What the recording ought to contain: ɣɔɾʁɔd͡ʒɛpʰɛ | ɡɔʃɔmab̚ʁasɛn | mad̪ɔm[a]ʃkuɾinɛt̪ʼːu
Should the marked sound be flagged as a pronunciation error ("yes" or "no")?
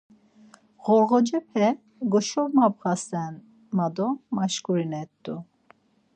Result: no